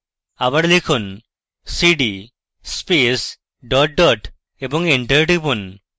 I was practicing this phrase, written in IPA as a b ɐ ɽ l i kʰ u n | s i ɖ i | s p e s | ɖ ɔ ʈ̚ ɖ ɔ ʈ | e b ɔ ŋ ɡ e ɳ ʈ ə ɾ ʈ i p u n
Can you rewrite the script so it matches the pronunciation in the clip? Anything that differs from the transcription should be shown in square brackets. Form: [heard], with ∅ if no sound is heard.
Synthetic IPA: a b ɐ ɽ l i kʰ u n | s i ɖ i | s p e s | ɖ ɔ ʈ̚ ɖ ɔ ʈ | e b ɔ ŋ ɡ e ɳ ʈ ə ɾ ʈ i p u n

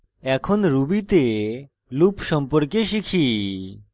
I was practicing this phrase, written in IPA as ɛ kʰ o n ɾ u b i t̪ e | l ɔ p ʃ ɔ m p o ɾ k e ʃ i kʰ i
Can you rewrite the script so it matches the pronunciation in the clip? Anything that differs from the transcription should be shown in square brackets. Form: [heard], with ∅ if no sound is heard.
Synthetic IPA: ɛ kʰ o n ɾ u b i t̪ e | l [u] p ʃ ɔ m p o ɾ k e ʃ i kʰ i

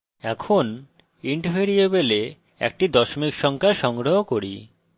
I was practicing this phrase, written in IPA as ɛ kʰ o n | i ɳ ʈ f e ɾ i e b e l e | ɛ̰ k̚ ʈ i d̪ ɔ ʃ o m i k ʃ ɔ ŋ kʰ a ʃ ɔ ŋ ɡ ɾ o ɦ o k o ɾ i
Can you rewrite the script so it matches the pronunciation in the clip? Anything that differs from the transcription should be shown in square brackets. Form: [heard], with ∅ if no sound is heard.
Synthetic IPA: ɛ kʰ o n | i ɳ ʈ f e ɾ i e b e l e | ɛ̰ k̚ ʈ i d̪ ɔ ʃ o m i k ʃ ɔ ŋ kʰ a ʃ ɔ ŋ ɡ ɾ o ɦ o k o ɾ i

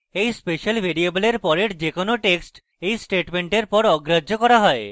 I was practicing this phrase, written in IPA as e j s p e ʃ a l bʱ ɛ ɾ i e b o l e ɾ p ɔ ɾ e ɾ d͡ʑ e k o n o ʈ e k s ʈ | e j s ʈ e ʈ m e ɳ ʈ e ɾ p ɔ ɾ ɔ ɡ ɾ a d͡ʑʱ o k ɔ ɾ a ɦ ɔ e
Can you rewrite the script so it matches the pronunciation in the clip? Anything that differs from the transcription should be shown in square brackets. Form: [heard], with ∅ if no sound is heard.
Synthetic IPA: e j s p e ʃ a l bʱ [e] ɾ i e b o l e ɾ p ɔ ɾ e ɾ d͡ʑ e k o n o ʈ e k s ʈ | e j s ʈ e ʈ m e ɳ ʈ e ɾ p ɔ ɾ ɔ ɡ ɾ a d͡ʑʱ o k ɔ ɾ a ɦ ɔ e

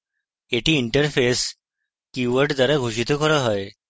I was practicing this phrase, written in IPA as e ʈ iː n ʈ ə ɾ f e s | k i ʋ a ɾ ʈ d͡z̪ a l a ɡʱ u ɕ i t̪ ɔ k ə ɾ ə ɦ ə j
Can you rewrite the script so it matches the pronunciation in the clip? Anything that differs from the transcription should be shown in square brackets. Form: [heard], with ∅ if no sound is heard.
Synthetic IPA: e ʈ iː [ɳ] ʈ ə ɾ f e s | k i ʋ [ə] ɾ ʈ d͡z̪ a [ɾ] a ɡʱ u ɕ i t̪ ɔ k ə ɾ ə ɦ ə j

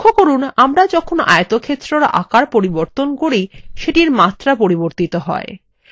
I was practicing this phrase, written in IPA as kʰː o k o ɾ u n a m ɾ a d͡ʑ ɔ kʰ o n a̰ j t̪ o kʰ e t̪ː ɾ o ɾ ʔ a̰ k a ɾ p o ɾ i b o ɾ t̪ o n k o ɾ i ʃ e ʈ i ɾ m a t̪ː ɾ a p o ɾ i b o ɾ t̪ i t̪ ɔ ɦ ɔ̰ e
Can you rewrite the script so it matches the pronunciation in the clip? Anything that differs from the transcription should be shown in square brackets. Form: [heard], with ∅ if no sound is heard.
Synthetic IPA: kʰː o k o ɾ u n a m ɾ a d͡ʑ ɔ kʰ o n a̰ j t̪ o kʰ e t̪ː ɾ o ɾ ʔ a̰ k a ɾ p o ɾ i b o ɾ t̪ o n k o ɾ i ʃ e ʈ i ɾ m a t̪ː ɾ a p o ɾ i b o ɾ t̪ i t̪ [o] ɦ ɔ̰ e

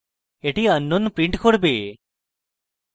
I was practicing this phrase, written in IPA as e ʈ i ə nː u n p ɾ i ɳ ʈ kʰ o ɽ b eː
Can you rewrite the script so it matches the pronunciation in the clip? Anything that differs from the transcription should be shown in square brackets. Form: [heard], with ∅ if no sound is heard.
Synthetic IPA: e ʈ i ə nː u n p ɾ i ɳ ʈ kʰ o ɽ b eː

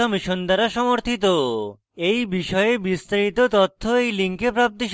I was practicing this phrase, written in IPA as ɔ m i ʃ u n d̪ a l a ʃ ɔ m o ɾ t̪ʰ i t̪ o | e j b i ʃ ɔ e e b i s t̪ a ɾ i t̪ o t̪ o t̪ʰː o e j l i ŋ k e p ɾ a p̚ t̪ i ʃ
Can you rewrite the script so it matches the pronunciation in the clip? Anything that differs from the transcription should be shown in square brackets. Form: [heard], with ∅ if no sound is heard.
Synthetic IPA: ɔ m i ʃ [o] n d̪ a [ɾ] a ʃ ɔ m o ɾ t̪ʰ i t̪ o | e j b i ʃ ɔ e e b i s t̪ a ɾ i t̪ o t̪ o t̪ʰː o e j l i ŋ k e p ɾ a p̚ t̪ i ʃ

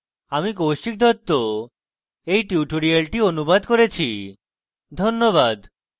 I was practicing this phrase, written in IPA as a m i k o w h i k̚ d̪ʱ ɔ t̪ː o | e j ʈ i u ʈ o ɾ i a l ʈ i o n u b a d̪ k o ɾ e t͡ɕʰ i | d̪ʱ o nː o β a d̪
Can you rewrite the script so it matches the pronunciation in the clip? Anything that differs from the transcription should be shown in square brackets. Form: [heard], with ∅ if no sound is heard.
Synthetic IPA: a m i k o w [ʃ] i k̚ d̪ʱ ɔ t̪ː o | e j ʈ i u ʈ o ɾ i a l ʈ i o n u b a d̪ k o ɾ e t͡ɕʰ i | d̪ʱ o nː o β a d̪

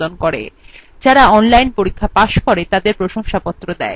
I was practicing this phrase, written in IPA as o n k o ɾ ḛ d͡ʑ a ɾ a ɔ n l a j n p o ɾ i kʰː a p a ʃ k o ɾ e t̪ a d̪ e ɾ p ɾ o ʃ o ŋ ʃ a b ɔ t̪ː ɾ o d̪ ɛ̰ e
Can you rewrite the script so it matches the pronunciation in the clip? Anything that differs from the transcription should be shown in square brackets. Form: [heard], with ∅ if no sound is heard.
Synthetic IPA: o n k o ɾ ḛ d͡ʑ a ɾ a ɔ n l a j n p o ɾ i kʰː a p a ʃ k o ɾ e t̪ a d̪ e ɾ p ɾ o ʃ o ŋ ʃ a [p] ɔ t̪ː ɾ o d̪ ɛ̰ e

